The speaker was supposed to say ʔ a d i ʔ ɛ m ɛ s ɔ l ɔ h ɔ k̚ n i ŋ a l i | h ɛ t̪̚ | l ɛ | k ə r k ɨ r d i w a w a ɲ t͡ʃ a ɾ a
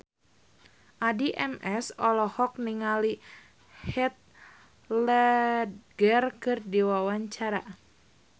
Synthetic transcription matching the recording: ʔ a d i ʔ ɛ m ɛ s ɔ l ɔ h ɔ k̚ n i ŋ a l i | h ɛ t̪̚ | l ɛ | ɡ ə r k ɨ r d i w a w a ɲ t͡ʃ a ɾ a